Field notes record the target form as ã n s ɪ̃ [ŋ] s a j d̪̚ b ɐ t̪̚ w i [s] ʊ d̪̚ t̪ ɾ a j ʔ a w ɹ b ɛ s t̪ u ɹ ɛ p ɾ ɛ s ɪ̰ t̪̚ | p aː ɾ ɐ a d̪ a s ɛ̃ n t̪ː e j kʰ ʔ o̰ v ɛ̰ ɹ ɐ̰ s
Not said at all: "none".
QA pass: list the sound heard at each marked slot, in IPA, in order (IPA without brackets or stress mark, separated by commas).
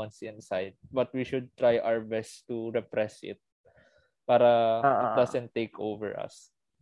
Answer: n, ʃ